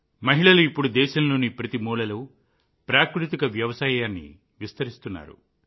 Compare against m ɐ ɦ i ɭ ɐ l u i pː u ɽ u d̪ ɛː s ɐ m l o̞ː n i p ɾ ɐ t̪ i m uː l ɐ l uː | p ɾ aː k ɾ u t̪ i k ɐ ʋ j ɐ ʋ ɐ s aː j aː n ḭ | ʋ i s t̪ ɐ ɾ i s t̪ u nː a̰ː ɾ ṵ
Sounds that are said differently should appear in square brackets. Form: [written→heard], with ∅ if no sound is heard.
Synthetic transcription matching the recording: m ɐ ɦ i ɭ ɐ l u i pː u ɽ u d̪ ɛː [s→ʃ] ɐ m l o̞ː n i p ɾ ɐ t̪ i m uː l ɐ l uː | p ɾ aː k ɾ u t̪ i k ɐ ʋ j ɐ ʋ ɐ s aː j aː [n→nː] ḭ | ʋ i s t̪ ɐ ɾ i s t̪ u nː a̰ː ɾ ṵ